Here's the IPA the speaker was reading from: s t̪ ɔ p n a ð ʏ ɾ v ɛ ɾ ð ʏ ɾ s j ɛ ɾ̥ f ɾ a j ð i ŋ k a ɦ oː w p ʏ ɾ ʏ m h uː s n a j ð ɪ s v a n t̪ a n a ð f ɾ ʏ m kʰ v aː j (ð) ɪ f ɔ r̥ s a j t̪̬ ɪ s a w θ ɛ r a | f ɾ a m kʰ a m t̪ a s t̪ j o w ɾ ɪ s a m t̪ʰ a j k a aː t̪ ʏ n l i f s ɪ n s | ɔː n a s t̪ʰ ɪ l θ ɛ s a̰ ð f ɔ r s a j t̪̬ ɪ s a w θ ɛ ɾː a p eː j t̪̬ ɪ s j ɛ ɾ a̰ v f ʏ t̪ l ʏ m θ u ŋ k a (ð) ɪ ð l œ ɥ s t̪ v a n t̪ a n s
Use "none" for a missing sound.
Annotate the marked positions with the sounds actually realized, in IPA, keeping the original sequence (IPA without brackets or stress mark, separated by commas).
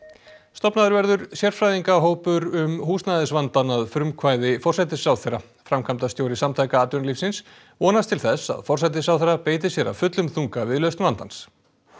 ð, v